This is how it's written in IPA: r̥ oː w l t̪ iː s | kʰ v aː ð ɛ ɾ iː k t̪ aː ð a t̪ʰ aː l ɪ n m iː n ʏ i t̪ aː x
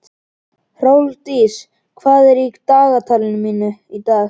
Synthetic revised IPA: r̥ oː w l t̪ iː s | kʰ v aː ð ɛ ɾ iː k t̪ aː ɣ a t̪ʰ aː l ɪ n m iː n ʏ i t̪ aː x